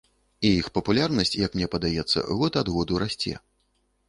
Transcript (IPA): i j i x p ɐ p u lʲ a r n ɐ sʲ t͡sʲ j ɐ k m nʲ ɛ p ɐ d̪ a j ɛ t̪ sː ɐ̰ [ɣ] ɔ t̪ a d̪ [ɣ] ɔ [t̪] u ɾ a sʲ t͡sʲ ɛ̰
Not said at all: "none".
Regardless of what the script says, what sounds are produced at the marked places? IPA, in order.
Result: ɣ, ɣ, d̪

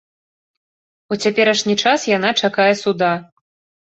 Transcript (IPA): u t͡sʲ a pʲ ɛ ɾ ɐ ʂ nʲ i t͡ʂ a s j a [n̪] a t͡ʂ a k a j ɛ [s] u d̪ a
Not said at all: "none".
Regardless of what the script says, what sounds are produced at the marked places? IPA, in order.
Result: n̪, s

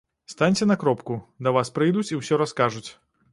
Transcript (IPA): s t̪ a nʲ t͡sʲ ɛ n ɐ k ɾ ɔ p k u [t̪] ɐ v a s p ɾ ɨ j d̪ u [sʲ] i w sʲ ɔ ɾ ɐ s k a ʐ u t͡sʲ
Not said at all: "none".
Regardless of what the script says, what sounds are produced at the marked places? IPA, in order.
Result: d̪, t͡sʲ

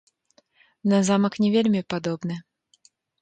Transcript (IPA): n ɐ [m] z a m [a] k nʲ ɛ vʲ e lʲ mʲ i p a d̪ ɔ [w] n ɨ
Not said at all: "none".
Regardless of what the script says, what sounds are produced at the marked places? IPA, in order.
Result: none, ɐ, b

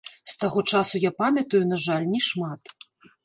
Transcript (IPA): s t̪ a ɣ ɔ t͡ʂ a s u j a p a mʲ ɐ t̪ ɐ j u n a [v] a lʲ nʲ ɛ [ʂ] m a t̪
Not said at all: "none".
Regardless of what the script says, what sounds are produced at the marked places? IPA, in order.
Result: ʐ, ʂ

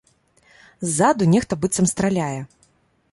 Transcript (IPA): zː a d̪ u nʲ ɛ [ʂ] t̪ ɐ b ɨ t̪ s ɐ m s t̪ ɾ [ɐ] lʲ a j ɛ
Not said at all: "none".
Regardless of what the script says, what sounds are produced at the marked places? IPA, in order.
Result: x, a

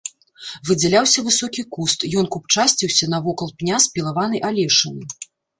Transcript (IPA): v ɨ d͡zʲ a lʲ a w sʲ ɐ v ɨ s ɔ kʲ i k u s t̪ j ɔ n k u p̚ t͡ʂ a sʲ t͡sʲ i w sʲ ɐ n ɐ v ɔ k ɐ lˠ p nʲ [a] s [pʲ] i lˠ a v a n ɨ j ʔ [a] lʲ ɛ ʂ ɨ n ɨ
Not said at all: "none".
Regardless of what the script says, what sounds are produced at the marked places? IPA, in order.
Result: a, pʲ, a

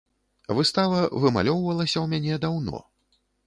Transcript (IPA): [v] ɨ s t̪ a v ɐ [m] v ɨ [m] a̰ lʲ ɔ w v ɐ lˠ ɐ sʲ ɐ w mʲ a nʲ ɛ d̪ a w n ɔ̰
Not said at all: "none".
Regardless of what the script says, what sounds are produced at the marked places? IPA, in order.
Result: v, none, m

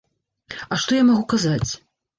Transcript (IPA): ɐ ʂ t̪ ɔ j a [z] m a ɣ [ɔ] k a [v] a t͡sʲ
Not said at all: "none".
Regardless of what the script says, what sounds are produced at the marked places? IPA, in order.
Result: none, u, z

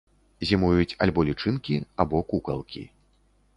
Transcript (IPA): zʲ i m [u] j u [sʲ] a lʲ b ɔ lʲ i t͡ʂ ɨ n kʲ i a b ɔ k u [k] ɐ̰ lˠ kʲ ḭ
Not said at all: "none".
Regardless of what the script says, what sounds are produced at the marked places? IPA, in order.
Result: u, t͡sʲ, k

